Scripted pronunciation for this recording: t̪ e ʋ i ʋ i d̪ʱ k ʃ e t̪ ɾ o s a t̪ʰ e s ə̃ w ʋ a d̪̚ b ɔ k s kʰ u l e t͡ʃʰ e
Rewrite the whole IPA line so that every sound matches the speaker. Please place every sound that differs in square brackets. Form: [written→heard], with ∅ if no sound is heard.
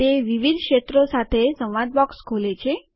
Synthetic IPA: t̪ e ʋ i ʋ i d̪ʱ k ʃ e t̪ ɾ o s a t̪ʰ e s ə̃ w ʋ a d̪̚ b ɔ k s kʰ [u→o] l e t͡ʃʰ e